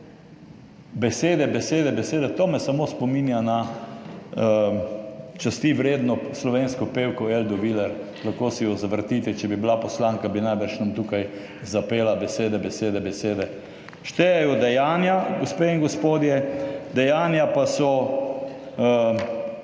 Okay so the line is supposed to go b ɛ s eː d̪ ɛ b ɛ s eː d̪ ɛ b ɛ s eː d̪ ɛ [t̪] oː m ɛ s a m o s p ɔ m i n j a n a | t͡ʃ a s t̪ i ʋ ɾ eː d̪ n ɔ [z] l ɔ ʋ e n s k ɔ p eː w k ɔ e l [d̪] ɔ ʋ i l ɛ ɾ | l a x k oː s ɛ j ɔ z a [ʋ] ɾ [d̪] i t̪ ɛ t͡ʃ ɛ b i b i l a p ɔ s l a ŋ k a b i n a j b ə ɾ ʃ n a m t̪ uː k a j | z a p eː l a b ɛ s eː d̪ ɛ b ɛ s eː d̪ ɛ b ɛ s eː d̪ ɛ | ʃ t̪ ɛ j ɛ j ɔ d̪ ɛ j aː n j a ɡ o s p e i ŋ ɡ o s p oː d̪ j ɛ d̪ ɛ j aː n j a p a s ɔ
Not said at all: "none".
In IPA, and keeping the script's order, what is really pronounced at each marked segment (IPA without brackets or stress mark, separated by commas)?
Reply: t̪, s, d̪, ʋ, t̪